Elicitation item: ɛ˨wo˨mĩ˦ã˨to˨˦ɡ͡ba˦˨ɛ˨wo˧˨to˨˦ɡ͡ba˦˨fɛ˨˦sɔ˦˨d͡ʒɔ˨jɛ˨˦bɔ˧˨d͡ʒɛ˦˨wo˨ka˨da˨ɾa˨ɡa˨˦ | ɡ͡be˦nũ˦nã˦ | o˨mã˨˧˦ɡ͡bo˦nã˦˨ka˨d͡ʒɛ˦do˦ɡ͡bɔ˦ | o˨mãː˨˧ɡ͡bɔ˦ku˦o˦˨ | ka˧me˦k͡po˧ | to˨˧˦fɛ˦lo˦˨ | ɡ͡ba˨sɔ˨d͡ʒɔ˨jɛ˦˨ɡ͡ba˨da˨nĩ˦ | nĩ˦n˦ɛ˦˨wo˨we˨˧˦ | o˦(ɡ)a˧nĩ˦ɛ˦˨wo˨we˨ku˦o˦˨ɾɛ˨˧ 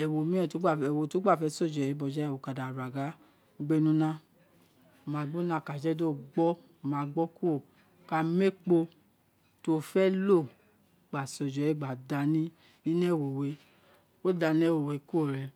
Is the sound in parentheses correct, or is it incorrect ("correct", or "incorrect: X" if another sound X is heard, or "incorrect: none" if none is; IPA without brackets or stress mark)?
incorrect: d